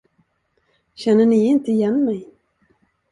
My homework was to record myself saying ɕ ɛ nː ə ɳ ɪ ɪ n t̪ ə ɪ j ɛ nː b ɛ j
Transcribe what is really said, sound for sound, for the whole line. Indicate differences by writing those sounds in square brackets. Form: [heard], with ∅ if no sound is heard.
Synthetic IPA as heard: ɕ ɛ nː ə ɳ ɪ ɪ n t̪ ə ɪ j ɛ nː [m] ɛ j